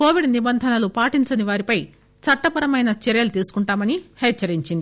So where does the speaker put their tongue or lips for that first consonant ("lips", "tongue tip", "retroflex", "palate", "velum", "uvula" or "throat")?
velum